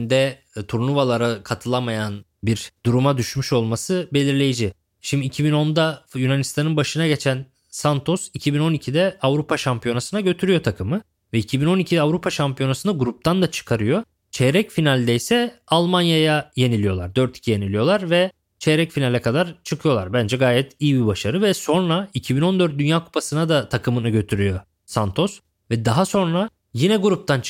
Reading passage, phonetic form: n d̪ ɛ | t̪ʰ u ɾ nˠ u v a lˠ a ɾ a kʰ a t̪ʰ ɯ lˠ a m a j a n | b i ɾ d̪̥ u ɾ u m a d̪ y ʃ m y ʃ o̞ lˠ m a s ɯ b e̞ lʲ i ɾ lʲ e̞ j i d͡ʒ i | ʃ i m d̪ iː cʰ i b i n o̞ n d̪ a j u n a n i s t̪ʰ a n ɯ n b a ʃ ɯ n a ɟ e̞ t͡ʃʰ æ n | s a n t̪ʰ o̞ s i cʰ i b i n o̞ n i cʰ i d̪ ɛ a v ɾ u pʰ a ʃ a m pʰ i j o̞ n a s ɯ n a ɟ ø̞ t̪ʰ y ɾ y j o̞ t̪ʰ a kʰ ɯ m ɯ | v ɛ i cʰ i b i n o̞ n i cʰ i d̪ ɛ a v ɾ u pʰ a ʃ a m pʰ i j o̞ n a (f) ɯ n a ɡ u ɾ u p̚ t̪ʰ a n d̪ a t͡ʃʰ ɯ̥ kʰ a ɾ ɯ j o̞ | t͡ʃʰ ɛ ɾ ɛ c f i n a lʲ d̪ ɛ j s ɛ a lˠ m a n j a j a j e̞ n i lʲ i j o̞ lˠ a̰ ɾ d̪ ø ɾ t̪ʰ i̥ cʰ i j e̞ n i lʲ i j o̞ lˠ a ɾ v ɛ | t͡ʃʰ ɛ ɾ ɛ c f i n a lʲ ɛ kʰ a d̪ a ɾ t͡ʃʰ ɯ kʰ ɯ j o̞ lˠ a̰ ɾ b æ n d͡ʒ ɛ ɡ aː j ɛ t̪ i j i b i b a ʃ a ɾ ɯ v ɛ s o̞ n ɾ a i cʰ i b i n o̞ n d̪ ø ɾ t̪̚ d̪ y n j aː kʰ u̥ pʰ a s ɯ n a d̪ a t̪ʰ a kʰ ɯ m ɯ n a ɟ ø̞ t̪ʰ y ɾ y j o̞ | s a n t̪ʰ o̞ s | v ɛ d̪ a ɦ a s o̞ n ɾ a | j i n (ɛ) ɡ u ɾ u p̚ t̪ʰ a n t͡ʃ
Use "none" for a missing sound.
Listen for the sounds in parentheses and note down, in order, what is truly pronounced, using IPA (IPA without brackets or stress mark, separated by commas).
s, ɛ